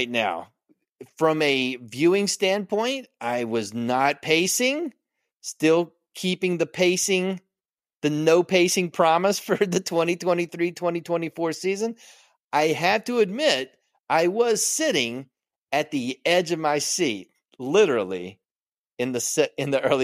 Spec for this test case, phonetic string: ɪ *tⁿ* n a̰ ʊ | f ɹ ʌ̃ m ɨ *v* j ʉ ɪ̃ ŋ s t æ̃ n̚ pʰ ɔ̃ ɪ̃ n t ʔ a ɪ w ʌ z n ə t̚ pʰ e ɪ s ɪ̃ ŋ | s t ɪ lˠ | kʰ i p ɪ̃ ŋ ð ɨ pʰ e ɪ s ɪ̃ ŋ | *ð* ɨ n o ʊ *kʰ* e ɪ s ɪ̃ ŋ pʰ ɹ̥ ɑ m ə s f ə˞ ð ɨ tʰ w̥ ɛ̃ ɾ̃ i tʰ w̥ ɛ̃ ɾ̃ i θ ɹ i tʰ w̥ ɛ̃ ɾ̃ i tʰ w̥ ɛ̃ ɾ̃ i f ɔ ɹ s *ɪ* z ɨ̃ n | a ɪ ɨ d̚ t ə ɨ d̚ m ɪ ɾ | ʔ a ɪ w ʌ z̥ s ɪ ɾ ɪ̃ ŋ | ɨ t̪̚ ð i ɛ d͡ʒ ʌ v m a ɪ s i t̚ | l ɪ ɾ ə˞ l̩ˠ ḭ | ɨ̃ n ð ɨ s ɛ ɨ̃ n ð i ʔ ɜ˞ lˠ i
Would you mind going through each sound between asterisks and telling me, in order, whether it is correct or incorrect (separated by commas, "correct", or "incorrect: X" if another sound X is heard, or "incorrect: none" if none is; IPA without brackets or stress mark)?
correct, correct, correct, incorrect: pʰ, incorrect: i